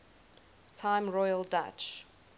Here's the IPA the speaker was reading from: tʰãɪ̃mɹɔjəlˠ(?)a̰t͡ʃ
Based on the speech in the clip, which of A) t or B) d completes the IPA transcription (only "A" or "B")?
B